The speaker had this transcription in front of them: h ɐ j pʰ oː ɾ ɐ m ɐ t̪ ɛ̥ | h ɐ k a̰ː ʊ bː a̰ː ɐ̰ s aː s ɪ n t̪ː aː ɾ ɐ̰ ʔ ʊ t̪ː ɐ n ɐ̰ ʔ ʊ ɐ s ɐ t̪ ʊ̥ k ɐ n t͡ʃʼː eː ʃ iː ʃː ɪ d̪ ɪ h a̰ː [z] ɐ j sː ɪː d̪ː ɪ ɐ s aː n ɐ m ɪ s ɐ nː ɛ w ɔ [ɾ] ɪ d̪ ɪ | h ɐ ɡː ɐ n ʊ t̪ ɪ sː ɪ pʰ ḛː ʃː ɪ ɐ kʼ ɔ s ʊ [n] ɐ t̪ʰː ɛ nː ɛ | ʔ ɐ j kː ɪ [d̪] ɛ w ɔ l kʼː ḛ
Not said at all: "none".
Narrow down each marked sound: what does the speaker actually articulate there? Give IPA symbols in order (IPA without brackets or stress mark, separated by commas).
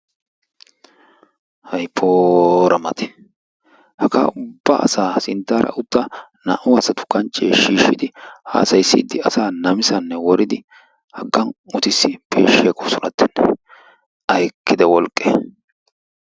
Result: s, ɾ, n, d̪